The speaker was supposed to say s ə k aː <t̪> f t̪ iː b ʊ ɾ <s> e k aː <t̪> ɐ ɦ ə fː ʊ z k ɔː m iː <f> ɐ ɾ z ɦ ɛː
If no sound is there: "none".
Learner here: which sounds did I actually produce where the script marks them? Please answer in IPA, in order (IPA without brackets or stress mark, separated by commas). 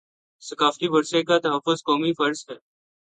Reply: none, s, t̪, f